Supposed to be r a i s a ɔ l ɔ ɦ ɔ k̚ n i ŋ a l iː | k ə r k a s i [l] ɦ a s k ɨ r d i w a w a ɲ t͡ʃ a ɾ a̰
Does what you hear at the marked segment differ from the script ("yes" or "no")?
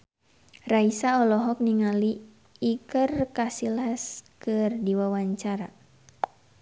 no